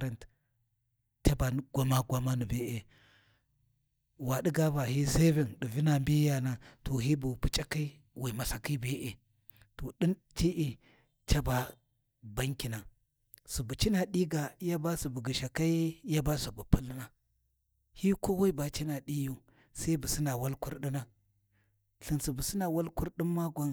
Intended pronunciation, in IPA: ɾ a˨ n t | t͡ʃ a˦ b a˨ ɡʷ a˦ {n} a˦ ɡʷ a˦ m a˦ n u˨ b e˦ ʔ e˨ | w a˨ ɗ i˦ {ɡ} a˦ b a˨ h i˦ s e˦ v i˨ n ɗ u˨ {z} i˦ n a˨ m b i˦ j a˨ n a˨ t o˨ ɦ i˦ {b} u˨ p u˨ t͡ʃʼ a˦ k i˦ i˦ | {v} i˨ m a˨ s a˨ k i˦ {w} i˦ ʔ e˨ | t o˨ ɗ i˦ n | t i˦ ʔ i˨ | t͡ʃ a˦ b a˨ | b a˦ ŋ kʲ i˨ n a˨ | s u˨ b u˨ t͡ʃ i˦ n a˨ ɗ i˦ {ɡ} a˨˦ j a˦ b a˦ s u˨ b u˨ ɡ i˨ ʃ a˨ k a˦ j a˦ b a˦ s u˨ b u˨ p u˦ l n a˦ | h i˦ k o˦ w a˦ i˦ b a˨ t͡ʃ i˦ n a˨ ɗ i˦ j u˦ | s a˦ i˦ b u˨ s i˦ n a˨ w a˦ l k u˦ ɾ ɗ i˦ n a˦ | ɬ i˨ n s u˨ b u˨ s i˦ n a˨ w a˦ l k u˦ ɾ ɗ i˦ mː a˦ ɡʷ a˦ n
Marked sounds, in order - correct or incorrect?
incorrect, correct, incorrect, correct, incorrect, incorrect, correct

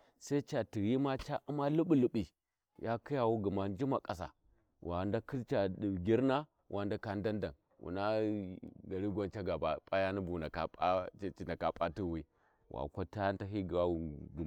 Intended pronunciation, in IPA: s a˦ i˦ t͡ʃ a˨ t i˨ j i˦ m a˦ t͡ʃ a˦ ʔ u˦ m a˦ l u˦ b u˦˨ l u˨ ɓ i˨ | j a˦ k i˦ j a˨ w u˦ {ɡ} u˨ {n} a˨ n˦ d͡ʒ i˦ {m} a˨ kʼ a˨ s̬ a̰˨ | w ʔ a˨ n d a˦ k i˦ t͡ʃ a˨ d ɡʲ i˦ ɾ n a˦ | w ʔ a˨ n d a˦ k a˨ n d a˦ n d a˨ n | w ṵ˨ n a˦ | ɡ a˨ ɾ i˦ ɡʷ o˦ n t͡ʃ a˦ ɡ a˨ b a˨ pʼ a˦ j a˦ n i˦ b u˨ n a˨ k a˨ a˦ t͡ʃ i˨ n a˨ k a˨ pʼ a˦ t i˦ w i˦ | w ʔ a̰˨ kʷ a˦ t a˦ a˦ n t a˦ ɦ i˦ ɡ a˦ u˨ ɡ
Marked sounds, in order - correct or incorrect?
correct, incorrect, correct

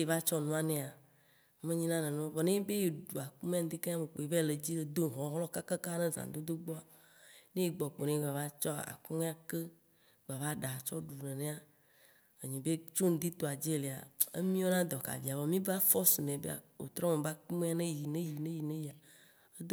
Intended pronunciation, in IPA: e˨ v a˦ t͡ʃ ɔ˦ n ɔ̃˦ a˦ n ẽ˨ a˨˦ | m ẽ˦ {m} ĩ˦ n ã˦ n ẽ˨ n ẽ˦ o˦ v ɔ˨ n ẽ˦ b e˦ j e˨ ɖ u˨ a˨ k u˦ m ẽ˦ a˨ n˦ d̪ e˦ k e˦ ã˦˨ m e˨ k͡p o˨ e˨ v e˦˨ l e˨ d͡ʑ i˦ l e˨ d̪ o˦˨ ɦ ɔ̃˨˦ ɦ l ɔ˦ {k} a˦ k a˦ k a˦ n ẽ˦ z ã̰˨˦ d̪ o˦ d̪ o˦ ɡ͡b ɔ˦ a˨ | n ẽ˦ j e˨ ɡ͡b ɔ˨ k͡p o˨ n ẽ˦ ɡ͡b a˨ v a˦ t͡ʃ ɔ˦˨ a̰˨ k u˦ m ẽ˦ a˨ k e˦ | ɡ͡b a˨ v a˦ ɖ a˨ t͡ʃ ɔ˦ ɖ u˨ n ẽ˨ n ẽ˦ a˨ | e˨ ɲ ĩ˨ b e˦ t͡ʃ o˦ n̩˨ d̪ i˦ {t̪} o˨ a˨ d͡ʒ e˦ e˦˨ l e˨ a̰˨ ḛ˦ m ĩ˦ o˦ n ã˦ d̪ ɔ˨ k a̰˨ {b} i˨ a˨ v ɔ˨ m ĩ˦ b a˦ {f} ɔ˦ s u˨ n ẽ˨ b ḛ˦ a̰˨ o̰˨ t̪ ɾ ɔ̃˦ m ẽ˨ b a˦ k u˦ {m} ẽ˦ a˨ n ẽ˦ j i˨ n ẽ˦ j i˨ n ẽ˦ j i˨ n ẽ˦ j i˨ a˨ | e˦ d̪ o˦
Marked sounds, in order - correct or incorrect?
incorrect, correct, correct, incorrect, correct, correct

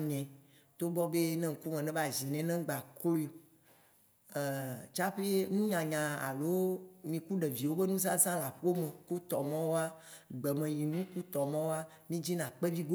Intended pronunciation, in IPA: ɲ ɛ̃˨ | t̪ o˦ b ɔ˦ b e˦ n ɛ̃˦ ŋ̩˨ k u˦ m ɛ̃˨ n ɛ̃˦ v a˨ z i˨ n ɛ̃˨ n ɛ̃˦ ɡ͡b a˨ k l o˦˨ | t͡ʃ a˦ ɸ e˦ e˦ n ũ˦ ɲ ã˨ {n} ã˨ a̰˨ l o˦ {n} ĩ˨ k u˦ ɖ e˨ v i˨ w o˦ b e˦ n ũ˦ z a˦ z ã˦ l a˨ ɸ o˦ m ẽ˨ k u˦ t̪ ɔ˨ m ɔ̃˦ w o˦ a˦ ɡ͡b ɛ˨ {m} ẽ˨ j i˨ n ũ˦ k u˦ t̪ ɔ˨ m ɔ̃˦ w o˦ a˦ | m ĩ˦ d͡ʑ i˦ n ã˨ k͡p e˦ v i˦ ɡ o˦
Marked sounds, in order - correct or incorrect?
incorrect, incorrect, correct

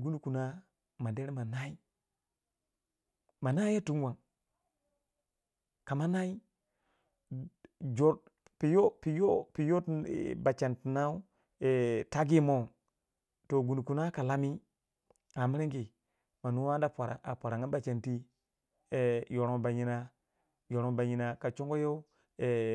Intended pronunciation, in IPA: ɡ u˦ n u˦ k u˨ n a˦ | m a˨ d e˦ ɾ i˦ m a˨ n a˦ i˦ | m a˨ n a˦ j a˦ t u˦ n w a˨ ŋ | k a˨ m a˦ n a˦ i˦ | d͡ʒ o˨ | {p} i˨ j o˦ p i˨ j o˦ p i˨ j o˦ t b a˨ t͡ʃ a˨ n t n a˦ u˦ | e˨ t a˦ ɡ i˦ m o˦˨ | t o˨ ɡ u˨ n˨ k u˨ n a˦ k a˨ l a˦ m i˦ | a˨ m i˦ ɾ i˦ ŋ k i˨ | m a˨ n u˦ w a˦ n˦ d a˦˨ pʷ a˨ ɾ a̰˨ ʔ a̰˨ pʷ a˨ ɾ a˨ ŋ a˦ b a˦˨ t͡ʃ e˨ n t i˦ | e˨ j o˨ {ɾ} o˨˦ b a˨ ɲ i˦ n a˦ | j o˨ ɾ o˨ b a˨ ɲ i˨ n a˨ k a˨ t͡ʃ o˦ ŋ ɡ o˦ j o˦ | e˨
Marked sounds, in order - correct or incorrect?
correct, correct

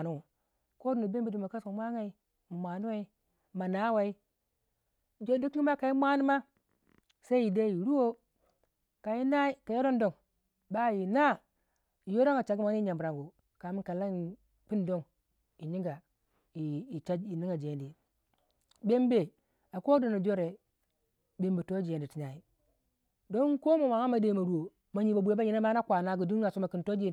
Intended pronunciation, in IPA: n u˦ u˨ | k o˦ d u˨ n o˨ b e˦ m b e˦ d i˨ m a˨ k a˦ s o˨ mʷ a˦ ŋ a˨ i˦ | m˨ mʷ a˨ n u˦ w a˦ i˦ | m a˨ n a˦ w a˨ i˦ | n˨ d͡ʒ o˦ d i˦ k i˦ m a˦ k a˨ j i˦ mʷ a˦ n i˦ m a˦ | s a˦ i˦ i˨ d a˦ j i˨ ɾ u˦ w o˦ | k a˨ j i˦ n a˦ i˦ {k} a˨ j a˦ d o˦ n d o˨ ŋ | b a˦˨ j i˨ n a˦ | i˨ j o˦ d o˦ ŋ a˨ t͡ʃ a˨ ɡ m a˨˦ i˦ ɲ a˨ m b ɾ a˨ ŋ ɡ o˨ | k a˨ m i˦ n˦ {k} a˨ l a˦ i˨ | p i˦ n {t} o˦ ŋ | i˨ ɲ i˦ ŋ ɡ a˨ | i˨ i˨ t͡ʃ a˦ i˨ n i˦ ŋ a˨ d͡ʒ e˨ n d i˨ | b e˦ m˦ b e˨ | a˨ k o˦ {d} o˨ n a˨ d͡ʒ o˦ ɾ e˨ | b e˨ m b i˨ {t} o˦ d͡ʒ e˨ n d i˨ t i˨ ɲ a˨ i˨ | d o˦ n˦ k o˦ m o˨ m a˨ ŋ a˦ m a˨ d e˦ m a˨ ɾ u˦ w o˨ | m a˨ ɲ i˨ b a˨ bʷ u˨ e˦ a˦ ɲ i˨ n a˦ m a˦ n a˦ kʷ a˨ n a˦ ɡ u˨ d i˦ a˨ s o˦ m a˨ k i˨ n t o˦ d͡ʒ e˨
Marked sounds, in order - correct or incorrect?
correct, correct, incorrect, correct, correct

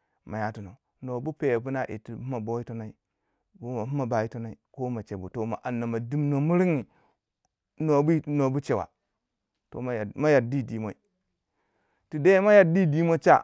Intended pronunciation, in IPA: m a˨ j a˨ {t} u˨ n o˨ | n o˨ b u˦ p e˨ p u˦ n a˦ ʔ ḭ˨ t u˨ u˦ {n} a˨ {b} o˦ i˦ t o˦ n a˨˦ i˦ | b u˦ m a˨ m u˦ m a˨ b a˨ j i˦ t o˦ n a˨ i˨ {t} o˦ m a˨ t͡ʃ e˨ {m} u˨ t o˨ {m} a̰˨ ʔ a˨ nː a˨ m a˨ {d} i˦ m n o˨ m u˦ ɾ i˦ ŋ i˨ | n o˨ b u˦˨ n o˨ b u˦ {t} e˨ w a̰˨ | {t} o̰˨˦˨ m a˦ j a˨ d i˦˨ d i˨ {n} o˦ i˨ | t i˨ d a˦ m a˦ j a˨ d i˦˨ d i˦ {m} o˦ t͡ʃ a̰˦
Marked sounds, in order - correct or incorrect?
correct, incorrect, correct, incorrect, incorrect, correct, correct, incorrect, correct, incorrect, correct

